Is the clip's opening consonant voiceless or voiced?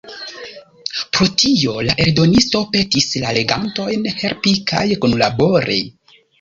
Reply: voiceless